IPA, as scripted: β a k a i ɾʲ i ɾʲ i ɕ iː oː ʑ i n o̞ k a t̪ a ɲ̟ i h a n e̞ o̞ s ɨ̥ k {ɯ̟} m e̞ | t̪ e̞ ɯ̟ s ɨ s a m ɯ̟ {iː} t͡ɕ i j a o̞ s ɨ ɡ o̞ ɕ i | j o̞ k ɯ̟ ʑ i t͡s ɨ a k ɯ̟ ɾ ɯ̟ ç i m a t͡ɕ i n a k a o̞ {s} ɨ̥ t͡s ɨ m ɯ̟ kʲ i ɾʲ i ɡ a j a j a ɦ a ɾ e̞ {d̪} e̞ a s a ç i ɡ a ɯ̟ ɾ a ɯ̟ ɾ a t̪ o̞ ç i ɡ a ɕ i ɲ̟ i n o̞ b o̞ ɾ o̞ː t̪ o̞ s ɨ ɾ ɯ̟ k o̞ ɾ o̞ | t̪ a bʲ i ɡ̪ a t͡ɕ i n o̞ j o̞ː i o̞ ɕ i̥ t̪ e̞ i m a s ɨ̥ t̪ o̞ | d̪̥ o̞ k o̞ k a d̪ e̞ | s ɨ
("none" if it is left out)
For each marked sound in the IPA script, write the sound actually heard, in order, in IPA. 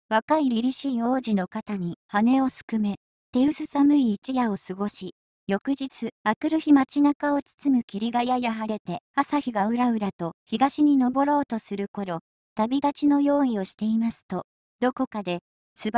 ɯ̟, iː, t͡s, t̪

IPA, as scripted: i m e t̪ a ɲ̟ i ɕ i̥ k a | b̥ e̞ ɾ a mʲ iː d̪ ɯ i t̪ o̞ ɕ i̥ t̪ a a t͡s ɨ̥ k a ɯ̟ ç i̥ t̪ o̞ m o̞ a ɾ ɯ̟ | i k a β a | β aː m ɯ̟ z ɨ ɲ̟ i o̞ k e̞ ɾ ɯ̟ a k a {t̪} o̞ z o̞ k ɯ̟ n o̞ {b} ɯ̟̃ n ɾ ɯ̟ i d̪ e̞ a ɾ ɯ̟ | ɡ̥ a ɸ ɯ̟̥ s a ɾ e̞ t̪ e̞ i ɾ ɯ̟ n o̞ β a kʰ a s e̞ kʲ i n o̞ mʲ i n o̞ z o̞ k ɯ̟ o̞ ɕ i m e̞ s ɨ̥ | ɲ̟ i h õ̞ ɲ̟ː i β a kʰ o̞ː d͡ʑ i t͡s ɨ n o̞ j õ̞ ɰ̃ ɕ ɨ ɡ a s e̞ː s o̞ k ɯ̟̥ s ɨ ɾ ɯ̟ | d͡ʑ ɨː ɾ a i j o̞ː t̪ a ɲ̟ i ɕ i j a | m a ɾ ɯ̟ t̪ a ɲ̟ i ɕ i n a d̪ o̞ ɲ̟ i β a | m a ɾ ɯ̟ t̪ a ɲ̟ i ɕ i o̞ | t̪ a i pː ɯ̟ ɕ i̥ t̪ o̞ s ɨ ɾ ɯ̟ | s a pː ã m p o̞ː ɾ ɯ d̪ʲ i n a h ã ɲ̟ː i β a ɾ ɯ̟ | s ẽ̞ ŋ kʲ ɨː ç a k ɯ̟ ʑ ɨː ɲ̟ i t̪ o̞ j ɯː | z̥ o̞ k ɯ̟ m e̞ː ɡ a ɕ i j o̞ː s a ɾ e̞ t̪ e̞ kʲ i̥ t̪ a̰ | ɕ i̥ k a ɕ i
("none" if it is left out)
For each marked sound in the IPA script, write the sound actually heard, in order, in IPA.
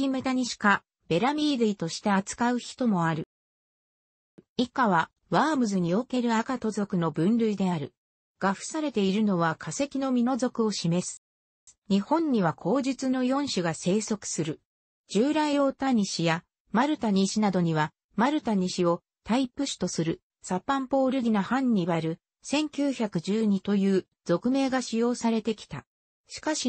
t̪, b

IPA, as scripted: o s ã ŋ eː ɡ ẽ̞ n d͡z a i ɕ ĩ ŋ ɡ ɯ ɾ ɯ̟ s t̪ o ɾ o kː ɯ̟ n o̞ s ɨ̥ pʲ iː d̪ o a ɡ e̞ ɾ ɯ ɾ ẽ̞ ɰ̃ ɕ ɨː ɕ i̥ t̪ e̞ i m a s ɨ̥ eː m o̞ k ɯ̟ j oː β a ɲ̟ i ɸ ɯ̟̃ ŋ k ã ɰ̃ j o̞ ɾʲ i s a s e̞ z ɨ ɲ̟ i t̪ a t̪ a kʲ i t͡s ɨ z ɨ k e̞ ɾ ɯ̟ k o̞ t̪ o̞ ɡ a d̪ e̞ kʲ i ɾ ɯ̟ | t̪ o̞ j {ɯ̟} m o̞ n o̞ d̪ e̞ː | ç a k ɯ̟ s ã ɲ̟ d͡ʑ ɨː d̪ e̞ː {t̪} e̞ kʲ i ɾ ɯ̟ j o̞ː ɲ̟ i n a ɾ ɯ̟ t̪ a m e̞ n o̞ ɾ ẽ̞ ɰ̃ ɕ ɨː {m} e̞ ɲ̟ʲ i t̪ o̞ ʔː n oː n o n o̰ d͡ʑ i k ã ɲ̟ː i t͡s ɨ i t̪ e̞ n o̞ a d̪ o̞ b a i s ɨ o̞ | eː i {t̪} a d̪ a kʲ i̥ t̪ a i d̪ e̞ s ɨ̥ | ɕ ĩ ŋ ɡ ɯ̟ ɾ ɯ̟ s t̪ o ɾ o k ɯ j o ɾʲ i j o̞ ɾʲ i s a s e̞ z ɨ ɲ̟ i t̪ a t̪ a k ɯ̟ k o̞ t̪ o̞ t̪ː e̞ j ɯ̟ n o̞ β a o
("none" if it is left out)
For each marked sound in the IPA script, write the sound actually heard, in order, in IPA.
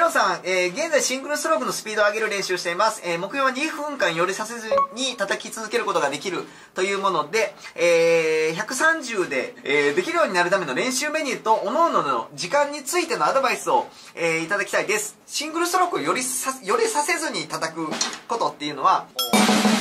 ɯ̟ː, d̪, m, t̪

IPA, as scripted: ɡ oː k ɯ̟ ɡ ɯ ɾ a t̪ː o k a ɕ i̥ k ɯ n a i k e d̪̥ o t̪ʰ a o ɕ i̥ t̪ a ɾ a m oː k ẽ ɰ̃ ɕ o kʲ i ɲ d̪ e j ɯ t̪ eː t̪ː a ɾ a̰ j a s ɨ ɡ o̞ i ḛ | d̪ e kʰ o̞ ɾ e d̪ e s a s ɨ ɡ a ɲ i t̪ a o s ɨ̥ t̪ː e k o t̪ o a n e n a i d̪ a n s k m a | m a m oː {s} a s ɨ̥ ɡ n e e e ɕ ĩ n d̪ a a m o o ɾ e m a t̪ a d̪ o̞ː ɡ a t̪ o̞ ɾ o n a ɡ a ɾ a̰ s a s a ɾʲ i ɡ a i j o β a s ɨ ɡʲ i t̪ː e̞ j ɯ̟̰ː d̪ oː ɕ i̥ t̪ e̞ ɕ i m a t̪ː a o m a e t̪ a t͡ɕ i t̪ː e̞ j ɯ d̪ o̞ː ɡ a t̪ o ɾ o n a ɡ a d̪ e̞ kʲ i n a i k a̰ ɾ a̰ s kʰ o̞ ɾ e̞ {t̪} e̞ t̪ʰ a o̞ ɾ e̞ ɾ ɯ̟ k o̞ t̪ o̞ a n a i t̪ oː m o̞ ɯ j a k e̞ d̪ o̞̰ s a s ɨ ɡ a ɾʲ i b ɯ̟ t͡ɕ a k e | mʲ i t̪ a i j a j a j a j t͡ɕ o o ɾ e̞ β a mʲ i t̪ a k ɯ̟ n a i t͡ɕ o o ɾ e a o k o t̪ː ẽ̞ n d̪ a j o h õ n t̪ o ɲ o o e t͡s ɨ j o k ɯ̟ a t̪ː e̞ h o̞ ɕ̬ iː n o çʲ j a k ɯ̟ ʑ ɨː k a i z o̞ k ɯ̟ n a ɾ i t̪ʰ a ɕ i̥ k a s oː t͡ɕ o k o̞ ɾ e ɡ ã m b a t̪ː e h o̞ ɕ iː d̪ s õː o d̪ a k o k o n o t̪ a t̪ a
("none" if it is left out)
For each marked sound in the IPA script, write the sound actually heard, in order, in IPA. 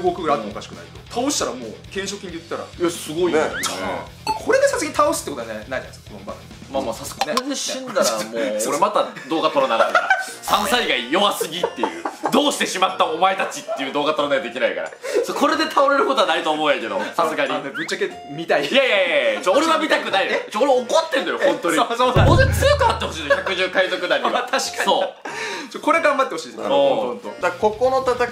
s, d̪

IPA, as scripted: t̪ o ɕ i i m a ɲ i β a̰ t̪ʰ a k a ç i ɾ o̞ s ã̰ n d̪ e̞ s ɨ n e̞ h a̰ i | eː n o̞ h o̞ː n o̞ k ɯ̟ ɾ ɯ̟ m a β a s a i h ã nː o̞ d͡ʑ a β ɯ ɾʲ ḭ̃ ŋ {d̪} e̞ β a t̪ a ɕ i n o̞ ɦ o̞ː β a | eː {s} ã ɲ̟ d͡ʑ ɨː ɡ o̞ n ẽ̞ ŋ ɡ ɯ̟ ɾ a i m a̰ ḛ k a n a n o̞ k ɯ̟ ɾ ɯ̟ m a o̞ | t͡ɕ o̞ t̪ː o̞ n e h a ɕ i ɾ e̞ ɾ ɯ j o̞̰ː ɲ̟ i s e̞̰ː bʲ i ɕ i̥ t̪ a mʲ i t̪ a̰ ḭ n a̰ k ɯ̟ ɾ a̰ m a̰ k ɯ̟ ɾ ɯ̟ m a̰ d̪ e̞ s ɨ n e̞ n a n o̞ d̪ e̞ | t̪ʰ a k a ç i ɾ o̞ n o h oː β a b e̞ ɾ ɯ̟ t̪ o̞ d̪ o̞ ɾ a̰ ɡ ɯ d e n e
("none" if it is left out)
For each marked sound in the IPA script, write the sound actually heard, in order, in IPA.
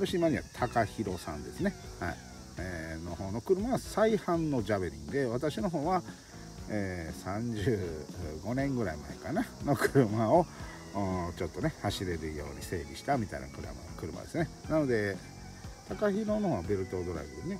d̪, s

